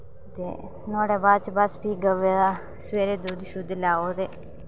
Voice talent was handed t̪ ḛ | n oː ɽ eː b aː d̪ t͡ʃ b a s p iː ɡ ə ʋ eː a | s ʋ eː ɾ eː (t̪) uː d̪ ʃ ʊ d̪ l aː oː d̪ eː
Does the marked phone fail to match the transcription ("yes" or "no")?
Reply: yes